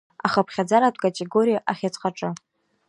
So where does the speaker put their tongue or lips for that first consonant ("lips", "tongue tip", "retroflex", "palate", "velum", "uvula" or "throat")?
uvula